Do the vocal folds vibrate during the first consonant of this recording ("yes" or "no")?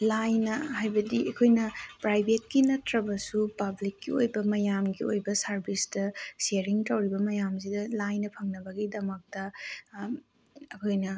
yes